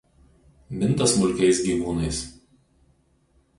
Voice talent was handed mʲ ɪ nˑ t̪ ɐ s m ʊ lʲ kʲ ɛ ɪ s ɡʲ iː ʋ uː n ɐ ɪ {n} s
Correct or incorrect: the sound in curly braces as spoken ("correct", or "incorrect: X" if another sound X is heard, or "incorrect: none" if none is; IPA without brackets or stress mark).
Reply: incorrect: none